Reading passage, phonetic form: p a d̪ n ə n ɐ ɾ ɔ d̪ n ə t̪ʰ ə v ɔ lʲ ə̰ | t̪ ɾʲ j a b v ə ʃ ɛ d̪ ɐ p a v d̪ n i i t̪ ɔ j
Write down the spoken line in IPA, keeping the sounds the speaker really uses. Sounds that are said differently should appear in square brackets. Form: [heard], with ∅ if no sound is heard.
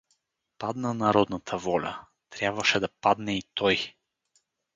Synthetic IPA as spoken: p a d̪ n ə n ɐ ɾ ɔ d̪ n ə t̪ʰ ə v ɔ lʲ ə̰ | t̪ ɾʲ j a b v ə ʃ ɛ d̪ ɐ p a [∅] d̪ n [ɛ] i t̪ ɔ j